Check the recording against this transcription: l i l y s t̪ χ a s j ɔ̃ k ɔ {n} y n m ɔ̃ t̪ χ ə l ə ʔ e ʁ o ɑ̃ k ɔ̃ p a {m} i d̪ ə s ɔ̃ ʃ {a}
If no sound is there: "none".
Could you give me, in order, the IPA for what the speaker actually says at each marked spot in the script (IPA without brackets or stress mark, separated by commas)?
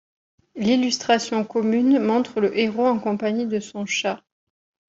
m, ɲ, a